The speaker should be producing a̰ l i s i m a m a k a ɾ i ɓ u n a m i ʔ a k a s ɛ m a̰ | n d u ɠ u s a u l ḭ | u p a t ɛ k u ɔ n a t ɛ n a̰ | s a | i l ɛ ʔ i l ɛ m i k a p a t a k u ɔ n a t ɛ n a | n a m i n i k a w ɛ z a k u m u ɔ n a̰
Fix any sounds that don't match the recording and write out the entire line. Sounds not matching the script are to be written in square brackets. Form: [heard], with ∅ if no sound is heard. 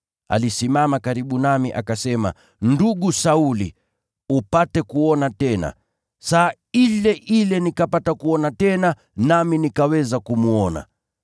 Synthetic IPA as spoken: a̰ l i s i m a m a k a ɾ i ɓ u n a m i ʔ a k a s ɛ m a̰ | n d u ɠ u s a u l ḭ | u p a t ɛ k u ɔ n a t ɛ n a̰ | s a | i l ɛ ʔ i l ɛ [n] i k a p a t a k u ɔ n a t ɛ n a | n a m i n i k a w ɛ z a k u m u ɔ n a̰